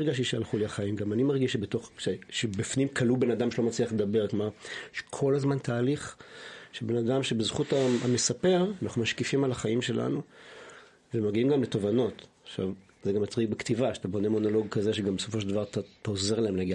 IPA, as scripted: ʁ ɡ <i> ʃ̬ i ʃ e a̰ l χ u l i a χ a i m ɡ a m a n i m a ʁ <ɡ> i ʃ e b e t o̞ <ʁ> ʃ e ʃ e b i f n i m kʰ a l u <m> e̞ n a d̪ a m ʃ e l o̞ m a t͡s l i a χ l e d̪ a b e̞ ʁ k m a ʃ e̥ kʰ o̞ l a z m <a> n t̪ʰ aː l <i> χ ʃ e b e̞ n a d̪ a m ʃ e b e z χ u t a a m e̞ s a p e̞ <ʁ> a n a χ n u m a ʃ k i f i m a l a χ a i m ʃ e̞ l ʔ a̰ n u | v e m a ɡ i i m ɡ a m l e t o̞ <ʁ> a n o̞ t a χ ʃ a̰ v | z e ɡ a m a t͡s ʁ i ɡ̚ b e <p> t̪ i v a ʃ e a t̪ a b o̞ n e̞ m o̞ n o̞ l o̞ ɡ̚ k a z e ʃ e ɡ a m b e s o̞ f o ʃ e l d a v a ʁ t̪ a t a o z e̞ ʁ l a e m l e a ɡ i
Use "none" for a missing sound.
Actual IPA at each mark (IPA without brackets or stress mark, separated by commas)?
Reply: a, ɡ, χ, b, a, i, ʁ, v, k